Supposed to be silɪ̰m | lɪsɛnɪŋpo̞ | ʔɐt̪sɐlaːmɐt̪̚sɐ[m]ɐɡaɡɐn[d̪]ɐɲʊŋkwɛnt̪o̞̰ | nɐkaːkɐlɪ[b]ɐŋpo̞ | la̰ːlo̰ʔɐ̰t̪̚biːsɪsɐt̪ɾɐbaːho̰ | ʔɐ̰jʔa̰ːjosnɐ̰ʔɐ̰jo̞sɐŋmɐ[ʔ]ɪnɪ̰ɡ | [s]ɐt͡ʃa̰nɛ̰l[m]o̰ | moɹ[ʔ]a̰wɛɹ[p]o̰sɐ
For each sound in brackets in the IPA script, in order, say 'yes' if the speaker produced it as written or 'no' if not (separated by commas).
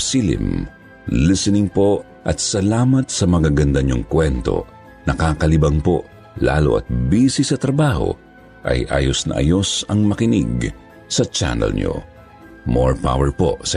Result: yes, yes, yes, no, yes, no, no, yes